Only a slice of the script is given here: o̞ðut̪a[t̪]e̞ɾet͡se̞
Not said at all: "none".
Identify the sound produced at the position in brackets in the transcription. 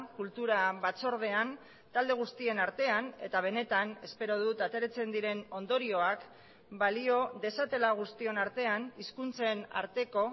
t̪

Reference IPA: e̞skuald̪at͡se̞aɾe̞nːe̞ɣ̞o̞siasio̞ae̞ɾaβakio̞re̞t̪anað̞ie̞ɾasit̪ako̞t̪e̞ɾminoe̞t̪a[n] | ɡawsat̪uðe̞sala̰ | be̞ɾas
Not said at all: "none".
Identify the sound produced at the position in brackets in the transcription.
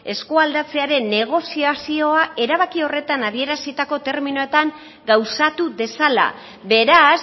ŋ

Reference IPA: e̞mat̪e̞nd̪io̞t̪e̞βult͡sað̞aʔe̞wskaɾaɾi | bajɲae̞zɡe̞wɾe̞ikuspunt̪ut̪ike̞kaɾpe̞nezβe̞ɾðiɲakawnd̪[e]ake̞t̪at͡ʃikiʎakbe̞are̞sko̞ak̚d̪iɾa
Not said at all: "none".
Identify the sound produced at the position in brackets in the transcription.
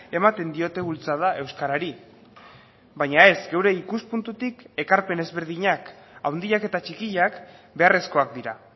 i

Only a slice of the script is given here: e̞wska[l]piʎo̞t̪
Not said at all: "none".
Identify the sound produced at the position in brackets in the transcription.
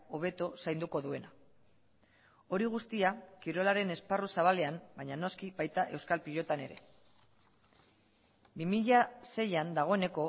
l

